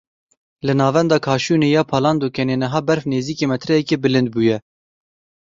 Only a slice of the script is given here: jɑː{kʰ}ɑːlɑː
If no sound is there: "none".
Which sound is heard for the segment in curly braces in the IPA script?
pʰ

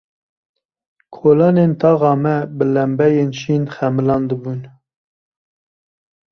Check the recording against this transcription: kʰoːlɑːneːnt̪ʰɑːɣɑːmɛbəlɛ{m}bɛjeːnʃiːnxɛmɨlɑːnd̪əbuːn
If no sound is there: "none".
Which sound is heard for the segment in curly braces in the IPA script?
m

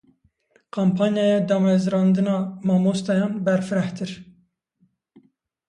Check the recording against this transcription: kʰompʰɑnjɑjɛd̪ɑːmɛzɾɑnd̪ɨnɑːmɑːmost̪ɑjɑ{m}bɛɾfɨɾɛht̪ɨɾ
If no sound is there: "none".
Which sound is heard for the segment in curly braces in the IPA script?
n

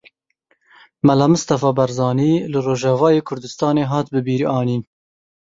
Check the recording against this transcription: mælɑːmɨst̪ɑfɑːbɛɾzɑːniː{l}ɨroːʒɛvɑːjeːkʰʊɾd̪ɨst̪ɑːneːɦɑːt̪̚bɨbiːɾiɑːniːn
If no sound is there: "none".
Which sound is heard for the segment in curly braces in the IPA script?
l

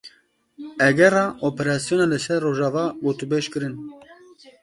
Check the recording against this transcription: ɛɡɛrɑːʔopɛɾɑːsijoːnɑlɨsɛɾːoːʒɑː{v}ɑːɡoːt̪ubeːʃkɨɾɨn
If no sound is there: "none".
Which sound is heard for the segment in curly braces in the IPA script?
v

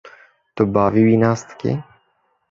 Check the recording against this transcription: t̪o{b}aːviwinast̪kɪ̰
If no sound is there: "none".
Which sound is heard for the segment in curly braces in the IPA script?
b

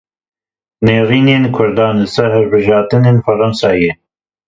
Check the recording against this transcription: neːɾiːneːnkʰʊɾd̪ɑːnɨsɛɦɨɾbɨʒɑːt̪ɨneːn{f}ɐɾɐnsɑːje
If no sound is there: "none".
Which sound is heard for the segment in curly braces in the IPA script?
f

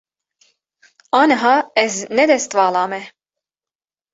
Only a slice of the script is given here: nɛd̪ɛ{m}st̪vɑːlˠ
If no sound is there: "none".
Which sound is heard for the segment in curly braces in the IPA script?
none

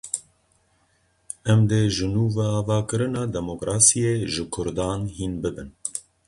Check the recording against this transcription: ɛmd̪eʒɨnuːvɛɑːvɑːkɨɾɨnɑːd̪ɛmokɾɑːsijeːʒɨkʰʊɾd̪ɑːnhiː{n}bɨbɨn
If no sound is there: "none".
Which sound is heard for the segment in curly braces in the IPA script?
n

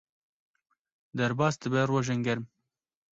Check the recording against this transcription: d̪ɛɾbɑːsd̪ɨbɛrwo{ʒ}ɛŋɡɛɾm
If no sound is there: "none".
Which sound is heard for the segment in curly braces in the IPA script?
ʒ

